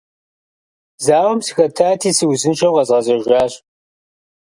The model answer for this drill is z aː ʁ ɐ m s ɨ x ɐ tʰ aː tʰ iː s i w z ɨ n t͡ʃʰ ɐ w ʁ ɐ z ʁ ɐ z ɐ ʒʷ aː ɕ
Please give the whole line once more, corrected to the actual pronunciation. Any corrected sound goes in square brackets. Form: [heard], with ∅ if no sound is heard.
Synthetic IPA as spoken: z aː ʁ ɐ m s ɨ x ɐ tʰ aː tʰ iː s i w z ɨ n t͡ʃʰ ɐ w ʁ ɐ z ʁ ɐ z ɐ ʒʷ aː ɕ

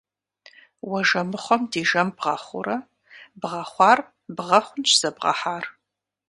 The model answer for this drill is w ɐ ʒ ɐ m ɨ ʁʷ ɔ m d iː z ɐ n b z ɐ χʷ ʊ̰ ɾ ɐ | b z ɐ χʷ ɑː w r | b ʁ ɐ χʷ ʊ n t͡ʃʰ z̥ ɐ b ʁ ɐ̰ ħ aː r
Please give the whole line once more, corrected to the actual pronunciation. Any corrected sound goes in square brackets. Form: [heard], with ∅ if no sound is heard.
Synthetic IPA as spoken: w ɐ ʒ ɐ m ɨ [χʷ] ɔ m d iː [ʒ] ɐ [m] b [ʁ] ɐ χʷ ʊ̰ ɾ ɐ | b [ʁ] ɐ χʷ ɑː [∅] r | b ʁ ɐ χʷ ʊ n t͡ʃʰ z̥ ɐ b ʁ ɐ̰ ħ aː r

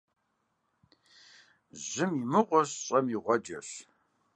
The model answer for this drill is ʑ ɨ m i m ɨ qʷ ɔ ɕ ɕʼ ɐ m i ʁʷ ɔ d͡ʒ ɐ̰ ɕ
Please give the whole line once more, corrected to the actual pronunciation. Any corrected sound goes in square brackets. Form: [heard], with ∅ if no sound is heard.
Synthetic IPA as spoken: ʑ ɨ m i m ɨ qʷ ɔ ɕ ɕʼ ɐ m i ʁʷ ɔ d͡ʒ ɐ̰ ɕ

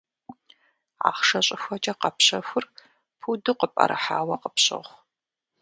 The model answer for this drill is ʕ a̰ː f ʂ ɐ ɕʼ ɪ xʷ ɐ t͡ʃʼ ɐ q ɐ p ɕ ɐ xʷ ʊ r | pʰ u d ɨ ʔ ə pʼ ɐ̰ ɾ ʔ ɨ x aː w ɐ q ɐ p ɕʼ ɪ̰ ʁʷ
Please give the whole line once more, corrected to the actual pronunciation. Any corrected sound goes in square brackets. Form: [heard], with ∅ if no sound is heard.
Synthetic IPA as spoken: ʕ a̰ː [χ] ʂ ɐ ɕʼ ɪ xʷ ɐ t͡ʃʼ ɐ q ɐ p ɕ ɐ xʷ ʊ r | pʰ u d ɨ [q] ə pʼ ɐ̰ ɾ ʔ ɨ [ħ] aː w ɐ q [ə] p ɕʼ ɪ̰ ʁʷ

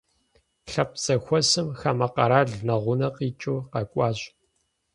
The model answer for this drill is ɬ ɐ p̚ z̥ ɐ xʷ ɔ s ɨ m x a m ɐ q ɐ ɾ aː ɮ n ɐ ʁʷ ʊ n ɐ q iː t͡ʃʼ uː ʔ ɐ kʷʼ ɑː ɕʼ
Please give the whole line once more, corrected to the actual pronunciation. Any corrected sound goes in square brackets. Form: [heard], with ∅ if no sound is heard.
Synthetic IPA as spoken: ɬ ɐ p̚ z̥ ɐ xʷ ɔ s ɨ m x a m ɐ q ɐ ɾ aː ɮ n ɐ ʁʷ ʊ n ɐ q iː t͡ʃʼ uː [q] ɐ kʷʼ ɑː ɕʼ

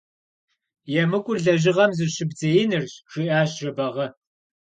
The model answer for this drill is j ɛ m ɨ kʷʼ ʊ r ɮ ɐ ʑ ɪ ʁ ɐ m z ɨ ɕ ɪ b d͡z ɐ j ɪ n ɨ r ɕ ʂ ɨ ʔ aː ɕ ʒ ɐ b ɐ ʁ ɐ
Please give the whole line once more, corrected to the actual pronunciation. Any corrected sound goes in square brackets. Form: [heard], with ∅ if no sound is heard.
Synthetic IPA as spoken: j ɛ m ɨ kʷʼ ʊ r ɮ ɐ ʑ ɪ ʁ ɐ m z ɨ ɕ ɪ b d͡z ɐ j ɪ n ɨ r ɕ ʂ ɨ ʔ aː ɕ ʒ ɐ b ɐ ʁ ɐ

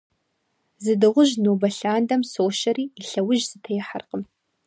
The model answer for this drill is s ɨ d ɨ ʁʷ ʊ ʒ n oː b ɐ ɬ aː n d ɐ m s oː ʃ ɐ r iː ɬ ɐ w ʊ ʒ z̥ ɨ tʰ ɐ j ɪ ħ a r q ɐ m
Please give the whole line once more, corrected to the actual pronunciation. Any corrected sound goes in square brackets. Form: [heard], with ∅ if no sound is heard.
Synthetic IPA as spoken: [z] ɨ d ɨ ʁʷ ʊ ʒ n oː b ɐ ɬ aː n d ɐ m s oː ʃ ɐ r iː ɬ ɐ w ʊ ʒ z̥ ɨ tʰ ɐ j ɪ ħ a r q [ə] m

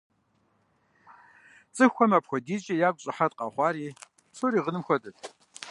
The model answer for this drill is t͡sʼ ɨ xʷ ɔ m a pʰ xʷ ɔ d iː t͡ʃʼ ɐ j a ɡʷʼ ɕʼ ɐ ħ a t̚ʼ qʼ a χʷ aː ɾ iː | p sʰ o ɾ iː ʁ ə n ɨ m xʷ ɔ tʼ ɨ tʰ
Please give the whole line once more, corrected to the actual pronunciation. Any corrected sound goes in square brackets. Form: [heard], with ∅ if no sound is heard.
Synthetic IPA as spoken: t͡sʼ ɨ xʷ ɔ m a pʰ xʷ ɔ d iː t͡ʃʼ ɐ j a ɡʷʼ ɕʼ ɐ ħ a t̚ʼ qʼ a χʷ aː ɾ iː | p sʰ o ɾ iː ʁ ə n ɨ m xʷ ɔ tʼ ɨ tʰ

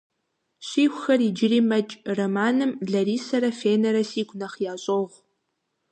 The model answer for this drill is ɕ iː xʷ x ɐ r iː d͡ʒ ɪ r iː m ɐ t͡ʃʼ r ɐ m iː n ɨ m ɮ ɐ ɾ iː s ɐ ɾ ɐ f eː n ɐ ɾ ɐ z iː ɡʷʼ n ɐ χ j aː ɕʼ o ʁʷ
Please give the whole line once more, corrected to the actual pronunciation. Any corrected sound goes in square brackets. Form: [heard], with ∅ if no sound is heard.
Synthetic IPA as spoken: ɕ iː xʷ x ɐ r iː d͡ʒ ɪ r iː m ɐ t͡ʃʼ r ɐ m [aː] n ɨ m ɮ ɐ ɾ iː s ɐ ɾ ɐ f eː n ɐ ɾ ɐ [s] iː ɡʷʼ n ɐ χ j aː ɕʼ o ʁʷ

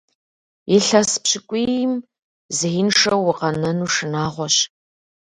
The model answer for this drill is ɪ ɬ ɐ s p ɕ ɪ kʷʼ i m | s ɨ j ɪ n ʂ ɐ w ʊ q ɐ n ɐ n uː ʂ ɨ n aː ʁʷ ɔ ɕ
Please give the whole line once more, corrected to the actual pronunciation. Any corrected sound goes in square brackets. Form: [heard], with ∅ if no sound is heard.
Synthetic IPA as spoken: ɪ ɬ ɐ s p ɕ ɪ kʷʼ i m | [z] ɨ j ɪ n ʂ ɐ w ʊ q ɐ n ɐ n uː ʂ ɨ n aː ʁʷ ɔ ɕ

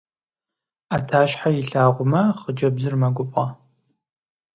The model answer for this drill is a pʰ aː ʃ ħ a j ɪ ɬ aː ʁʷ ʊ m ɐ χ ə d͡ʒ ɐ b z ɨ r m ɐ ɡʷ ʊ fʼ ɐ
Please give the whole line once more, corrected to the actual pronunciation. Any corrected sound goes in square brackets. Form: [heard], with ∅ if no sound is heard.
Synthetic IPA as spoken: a [tʰ] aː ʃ ħ a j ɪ ɬ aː ʁʷ ʊ m ɐ χ ə d͡ʒ ɐ b z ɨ r m ɐ ɡʷ ʊ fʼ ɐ

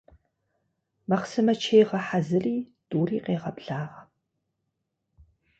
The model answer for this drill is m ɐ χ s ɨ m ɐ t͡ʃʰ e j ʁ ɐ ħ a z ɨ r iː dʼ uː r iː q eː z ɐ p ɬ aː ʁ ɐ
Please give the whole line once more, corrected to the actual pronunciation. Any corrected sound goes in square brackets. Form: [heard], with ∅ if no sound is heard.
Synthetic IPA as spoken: m ɐ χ s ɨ m ɐ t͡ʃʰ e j ʁ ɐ ħ a z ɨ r iː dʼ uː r iː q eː [ʁ] ɐ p ɬ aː ʁ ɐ

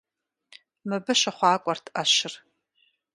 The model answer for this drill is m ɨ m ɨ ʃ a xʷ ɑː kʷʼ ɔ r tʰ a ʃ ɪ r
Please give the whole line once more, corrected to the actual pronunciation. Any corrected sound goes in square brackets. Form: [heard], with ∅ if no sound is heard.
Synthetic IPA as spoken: m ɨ [b] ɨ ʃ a [χʷ] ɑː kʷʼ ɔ r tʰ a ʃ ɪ r

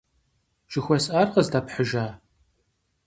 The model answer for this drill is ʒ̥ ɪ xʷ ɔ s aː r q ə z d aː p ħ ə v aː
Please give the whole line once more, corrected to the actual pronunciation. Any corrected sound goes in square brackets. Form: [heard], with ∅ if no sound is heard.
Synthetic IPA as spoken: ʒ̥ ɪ xʷ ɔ s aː r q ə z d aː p ħ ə [ʒ] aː

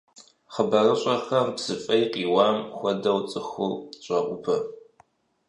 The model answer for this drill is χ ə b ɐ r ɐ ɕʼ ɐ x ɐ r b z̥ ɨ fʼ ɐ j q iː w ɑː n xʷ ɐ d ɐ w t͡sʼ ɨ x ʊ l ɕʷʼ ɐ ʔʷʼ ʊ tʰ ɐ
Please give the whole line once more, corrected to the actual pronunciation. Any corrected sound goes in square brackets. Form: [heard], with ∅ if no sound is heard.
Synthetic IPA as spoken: χ ə b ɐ r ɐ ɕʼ ɐ x ɐ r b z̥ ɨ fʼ ɐ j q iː w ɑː [m] xʷ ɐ d ɐ w t͡sʼ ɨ x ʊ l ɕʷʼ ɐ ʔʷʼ ʊ [pʰ] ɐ

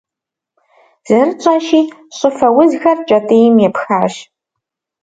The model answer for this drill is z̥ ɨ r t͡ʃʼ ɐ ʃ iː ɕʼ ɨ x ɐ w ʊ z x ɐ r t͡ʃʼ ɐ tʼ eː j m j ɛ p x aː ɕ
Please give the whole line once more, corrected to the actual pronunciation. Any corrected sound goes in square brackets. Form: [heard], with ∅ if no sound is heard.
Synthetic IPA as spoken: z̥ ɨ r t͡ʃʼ ɐ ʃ iː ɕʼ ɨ [f] ɐ w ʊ z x ɐ r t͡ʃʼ ɐ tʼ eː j m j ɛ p x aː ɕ

